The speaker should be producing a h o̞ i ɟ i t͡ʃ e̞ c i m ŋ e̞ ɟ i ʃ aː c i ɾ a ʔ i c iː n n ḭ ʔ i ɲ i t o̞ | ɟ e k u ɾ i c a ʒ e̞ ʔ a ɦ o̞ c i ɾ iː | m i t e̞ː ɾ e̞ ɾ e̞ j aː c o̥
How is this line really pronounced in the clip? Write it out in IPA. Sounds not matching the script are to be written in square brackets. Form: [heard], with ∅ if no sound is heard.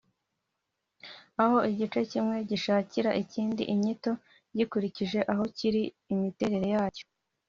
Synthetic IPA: a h o̞ i ɟ i t͡ʃ e̞ c i m ŋ e̞ ɟ i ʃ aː c i ɾ a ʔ i c iː n [d] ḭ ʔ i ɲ i t o̞ | ɟ [i] k u ɾ i c [i] ʒ e̞ ʔ a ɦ o̞ c i ɾ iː | m i t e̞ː ɾ e̞ ɾ e̞ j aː c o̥